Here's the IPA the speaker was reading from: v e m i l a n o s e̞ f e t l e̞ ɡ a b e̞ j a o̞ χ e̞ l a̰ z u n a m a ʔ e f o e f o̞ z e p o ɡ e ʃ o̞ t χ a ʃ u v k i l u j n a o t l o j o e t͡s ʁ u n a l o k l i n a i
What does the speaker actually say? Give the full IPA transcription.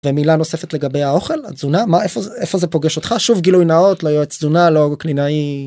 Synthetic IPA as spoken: v e m i l a n o s e̞ f e t l e̞ ɡ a b e̞ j a o̞ χ e̞ l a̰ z u n a m a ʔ e f o e f o̞ z e p o ɡ e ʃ o̞ t χ a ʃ u v ɡ i l u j n a o t l o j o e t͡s z u n a l o k l i n a i